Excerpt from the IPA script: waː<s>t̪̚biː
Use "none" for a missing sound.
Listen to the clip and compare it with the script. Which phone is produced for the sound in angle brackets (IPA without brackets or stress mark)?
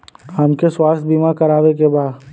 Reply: s